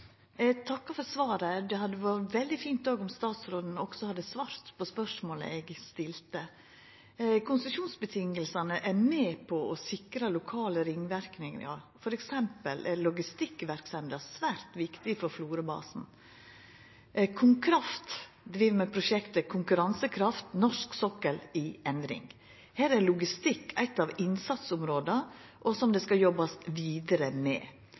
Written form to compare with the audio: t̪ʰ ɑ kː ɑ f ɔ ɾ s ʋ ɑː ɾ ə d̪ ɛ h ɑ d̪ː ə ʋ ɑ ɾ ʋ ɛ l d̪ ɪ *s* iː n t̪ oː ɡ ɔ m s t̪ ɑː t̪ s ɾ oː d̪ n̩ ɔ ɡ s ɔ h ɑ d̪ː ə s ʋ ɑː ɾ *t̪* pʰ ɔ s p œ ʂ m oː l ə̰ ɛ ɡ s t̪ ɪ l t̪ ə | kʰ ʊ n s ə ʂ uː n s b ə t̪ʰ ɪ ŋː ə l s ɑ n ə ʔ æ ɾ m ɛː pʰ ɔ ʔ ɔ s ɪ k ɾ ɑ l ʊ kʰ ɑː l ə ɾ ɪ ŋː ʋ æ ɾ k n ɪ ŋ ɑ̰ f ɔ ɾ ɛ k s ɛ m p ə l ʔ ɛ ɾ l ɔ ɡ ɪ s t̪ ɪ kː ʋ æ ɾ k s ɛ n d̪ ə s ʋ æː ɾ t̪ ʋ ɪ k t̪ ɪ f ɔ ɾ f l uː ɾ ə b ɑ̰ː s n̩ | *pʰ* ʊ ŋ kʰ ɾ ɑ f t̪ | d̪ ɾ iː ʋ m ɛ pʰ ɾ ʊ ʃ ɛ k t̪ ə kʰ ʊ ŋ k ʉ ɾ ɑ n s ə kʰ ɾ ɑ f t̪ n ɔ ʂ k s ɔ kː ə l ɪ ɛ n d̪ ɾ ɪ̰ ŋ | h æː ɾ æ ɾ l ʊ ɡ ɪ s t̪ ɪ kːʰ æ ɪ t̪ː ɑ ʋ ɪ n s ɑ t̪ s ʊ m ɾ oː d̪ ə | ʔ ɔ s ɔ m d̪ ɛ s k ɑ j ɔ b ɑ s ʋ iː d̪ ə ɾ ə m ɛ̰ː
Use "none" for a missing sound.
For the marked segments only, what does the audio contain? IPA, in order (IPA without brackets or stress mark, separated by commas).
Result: f, t̪, kʰ